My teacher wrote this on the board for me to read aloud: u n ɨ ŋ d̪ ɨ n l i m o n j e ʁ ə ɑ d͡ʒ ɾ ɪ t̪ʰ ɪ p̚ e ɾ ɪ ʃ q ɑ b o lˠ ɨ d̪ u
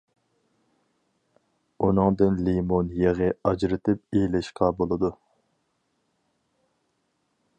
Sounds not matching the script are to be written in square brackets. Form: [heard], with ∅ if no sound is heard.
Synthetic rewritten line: u n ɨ ŋ d̪ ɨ n l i m o n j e ʁ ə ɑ d͡ʒ ɾ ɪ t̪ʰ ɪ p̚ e [l] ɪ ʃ q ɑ b o lˠ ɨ d̪ u